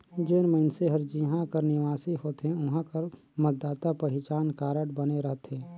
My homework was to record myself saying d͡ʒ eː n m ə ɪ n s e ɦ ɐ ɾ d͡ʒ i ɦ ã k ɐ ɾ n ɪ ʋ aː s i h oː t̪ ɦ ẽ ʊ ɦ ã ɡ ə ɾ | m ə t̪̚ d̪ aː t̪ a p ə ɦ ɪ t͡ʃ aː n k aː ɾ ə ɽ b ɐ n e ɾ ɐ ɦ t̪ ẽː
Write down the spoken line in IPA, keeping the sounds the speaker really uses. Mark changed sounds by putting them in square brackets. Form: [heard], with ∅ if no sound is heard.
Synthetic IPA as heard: d͡ʒ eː n m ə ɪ n s e ɦ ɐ ɾ d͡ʒ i ɦ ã k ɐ ɾ n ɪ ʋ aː s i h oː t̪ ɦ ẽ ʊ ɦ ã [k] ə ɾ | m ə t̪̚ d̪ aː t̪ a p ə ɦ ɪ t͡ʃ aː n k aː ɾ ə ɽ b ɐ n e ɾ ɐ ɦ t̪ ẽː